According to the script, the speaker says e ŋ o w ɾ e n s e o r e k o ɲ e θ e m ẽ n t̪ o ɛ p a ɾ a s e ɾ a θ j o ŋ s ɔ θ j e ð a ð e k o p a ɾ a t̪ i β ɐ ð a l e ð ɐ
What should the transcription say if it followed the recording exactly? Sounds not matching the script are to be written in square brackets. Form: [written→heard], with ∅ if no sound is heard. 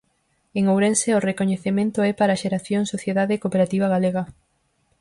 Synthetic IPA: e ŋ o w ɾ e n s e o r e k o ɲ e θ e m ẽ n t̪ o ɛ p a ɾ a [s→ʃ] e ɾ a θ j o ŋ s [ɔ→o] θ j e ð a ð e k o p [a→e] ɾ a t̪ i β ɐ [ð→ɣ] a l e [ð→ɣ] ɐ

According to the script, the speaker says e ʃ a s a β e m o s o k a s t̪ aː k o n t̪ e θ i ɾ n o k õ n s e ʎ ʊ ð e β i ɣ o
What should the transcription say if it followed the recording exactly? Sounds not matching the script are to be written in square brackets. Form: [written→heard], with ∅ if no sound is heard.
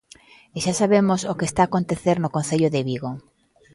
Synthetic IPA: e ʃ a s a β e m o s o k [a→e] s t̪ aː k o n t̪ e θ [i→e] ɾ n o k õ n [s→θ] e ʎ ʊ ð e β i ɣ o

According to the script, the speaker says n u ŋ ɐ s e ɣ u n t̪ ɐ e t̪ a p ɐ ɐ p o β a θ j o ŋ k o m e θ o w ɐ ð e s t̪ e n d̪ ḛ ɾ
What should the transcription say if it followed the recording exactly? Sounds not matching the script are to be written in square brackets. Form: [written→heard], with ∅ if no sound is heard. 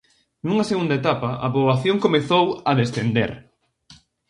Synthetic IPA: n u ŋ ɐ s e ɣ u n [t̪→d̪] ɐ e t̪ a p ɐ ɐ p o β a θ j o ŋ k o m e θ o w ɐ ð e s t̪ e n d̪ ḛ ɾ

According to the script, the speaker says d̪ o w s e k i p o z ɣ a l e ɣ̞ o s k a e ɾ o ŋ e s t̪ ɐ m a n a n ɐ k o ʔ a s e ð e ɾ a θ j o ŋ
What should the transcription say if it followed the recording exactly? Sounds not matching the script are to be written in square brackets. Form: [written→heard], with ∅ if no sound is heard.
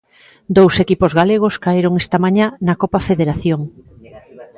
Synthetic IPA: d̪ o w s e k i p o z ɣ a l e ɣ̞ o s k a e ɾ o ŋ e s t̪ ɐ m a [n→ɲ] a n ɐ k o [ʔ→p] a [s→f] e ð e ɾ a θ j o ŋ

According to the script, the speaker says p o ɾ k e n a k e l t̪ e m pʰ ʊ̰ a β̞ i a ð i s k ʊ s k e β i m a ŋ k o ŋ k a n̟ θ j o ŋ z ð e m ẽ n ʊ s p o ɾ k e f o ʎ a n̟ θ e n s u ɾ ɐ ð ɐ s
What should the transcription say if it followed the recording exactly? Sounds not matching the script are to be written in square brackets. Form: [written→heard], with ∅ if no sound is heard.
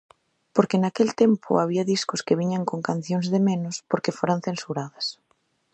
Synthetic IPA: p o ɾ k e n a k e l t̪ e m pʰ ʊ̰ a β̞ i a ð i s k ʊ s k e β i [m→ɲ] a ŋ k o ŋ k a n̟ θ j o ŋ z ð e m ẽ n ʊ s p o ɾ k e f o [ʎ→ɾ] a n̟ θ e n s u ɾ [ɐ→a] ð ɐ s

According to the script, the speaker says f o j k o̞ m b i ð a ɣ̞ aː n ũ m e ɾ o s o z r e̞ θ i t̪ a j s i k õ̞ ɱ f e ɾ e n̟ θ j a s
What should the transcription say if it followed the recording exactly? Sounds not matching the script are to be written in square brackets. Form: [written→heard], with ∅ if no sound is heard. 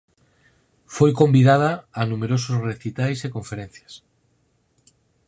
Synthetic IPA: f o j k o̞ m b i ð a [ɣ̞→ð̞] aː n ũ m e ɾ o s o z r e̞ θ i t̪ a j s [i→e] k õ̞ ɱ f e ɾ e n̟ θ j a s

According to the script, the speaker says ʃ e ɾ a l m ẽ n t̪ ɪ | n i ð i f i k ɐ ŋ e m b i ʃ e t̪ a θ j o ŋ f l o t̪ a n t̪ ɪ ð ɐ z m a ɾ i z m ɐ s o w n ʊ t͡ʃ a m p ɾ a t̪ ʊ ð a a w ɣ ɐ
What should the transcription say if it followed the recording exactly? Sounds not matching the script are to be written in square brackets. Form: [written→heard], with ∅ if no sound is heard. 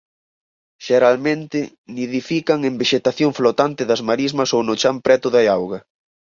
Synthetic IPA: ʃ e ɾ a l m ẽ n t̪ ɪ | n i ð i f i k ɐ ŋ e m b [i→e] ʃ e t̪ a θ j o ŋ f l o t̪ a n t̪ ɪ ð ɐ z m a ɾ i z m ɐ s o w n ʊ t͡ʃ a m p ɾ [a→ɛ] t̪ ʊ ð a a w ɣ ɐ

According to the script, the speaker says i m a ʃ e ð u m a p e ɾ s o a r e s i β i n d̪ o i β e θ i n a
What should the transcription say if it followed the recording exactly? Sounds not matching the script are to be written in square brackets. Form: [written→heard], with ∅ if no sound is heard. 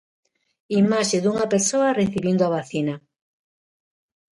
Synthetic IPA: i m a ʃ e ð u [m→ŋ] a p e ɾ s o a r e [s→θ] i β i n d̪ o [i→a] β [e→a] θ i n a

